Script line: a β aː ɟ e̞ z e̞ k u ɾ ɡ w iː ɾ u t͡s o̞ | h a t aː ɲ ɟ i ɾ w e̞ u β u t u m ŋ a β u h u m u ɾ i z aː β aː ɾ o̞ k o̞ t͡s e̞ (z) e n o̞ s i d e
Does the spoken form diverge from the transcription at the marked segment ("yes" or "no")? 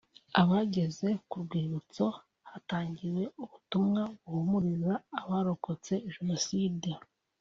yes